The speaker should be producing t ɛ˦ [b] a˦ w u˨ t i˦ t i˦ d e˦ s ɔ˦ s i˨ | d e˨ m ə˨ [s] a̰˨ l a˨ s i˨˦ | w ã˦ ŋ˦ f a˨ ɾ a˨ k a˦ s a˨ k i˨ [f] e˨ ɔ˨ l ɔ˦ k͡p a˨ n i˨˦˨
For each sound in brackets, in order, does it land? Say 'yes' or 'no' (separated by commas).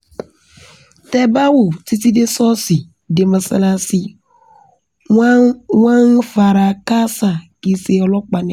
yes, yes, no